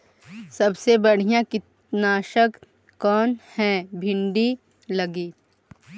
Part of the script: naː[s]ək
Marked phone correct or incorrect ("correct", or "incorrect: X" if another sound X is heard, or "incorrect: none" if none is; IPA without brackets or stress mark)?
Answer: incorrect: ʃ